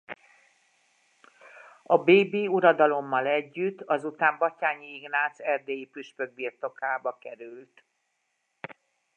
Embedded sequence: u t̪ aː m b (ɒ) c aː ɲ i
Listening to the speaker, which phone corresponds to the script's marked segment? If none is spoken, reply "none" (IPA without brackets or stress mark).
ɒ